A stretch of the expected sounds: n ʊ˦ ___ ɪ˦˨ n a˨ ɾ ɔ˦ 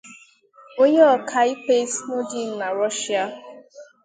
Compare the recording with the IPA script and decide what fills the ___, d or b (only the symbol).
d